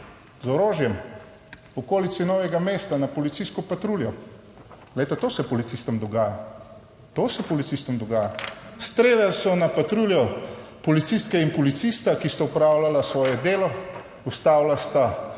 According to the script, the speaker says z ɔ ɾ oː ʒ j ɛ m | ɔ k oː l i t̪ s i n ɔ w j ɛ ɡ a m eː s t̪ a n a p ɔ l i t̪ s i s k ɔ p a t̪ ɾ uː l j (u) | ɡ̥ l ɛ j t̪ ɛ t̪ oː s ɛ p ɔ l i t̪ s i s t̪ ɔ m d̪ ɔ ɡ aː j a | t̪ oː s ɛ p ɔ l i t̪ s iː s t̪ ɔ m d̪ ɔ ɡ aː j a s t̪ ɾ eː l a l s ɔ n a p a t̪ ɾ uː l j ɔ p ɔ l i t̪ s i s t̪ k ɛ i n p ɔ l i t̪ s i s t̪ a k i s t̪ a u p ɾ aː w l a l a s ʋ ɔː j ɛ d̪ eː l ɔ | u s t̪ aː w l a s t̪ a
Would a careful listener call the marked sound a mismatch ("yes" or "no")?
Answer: yes